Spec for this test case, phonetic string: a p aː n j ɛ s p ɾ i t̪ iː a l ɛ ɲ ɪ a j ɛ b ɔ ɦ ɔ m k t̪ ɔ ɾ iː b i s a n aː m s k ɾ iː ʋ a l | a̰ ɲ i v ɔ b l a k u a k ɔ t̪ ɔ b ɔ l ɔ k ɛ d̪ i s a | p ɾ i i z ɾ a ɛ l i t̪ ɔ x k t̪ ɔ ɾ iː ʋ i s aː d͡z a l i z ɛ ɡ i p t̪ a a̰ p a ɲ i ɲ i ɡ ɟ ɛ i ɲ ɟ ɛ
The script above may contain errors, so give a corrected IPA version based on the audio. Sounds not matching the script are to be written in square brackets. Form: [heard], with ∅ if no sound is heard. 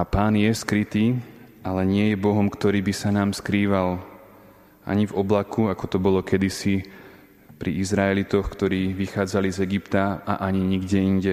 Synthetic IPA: a p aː n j ɛ s [k] ɾ i t̪ iː a l ɛ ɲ ɪ [ɛ] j ɛ b ɔ ɦ ɔ m k t̪ ɔ ɾ iː b i s a n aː m s k ɾ iː ʋ a l | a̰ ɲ i v ɔ b l a k u a k ɔ t̪ ɔ b ɔ l ɔ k ɛ d̪ i s [i] | p ɾ i i z ɾ a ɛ l i t̪ ɔ x k t̪ ɔ ɾ iː ʋ i [x] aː d͡z a l i z ɛ ɡ i p t̪ a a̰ [ʔ] a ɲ i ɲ i ɡ ɟ ɛ i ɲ ɟ ɛ